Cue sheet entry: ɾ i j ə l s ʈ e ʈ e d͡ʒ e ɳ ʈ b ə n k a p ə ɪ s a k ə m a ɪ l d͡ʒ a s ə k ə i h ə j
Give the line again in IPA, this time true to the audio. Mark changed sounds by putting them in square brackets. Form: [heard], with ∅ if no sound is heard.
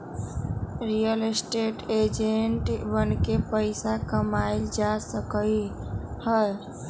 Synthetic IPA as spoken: ɾ i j ə l s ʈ e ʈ e d͡ʒ e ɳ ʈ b ə n k [e] p ə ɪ s a k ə m a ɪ l d͡ʒ a s ə k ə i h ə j